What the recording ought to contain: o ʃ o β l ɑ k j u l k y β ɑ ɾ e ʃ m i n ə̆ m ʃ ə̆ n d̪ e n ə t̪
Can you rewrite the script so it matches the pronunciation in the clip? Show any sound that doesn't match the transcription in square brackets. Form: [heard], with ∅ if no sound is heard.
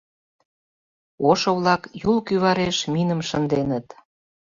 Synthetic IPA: o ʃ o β l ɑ k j u l k y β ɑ ɾ e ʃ m i n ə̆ m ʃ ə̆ n d̪ e n ə t̪